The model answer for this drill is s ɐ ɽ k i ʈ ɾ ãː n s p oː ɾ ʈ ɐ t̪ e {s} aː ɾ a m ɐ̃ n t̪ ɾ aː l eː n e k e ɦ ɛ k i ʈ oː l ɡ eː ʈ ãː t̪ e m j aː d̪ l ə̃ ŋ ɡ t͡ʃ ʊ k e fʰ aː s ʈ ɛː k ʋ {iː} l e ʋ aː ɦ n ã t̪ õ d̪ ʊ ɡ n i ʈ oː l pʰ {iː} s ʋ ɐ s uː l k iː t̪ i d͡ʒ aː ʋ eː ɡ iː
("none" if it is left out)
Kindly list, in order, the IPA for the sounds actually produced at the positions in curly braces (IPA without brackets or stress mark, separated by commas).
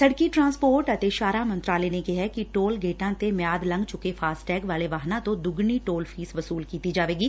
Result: ʃ, aː, iː